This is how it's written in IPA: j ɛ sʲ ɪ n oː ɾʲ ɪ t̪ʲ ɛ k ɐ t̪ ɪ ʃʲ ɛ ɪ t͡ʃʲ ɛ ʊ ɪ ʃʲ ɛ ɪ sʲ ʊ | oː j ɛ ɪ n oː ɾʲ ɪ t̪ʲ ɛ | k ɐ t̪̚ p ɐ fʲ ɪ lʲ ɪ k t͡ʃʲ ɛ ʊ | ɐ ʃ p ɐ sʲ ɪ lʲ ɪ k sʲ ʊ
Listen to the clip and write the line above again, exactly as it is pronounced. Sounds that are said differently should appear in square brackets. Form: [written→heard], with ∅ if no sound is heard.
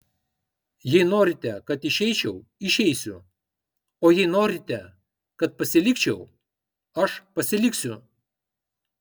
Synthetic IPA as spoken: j ɛ [sʲ→∅] ɪ n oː ɾʲ ɪ t̪ʲ ɛ k ɐ t̪ ɪ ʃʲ ɛ ɪ t͡ʃʲ ɛ ʊ ɪ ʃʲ ɛ ɪ sʲ ʊ | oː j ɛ ɪ n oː ɾʲ ɪ t̪ʲ ɛ | k ɐ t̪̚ p ɐ [fʲ→sʲ] ɪ lʲ ɪ k t͡ʃʲ ɛ ʊ | ɐ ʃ p ɐ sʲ ɪ lʲ ɪ k sʲ ʊ